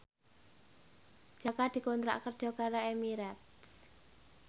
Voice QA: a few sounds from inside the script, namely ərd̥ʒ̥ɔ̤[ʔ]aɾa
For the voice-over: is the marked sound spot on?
no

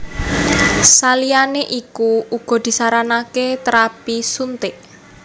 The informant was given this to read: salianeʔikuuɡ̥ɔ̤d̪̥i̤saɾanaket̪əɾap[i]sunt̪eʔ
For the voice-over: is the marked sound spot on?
yes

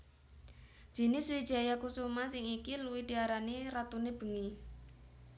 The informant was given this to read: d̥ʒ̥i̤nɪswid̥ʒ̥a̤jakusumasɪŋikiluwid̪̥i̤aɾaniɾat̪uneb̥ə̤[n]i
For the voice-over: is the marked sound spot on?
no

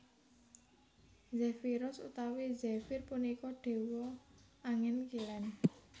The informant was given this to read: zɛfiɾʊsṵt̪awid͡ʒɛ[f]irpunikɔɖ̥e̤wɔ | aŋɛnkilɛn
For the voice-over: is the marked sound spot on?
yes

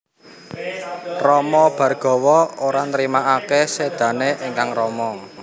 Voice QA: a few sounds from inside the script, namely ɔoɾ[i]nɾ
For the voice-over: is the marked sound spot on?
no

